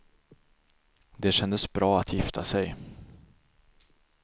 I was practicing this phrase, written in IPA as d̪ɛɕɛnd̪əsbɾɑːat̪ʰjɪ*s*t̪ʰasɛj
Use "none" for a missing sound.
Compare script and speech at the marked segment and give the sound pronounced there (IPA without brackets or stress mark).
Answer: f